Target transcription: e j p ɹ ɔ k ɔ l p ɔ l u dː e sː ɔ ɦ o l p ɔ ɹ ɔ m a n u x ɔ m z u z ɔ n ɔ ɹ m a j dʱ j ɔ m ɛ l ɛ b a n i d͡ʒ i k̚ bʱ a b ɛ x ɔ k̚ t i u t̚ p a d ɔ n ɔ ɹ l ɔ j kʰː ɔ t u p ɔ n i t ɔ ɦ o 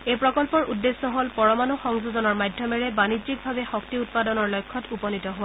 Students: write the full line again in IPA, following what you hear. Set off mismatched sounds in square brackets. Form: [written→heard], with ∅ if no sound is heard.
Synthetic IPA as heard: e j p ɹ ɔ k ɔ l p ɔ [l→ɹ] u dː e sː ɔ ɦ o l p ɔ ɹ ɔ m a n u x ɔ [m→ŋ] z u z ɔ n ɔ ɹ m a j dʱ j ɔ m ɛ [l→ɹ] ɛ b a n i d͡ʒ i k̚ bʱ a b ɛ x ɔ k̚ t i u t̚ p a d ɔ n ɔ ɹ l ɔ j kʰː ɔ t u p ɔ n i t ɔ ɦ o